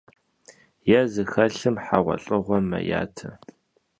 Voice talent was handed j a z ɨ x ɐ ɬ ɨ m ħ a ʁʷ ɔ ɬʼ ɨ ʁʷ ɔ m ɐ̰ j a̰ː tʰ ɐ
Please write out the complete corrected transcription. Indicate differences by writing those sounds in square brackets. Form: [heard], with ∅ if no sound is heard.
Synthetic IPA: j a z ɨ x ɐ ɬ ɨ m ħ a ʁʷ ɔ ɬʼ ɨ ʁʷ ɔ m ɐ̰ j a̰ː tʰ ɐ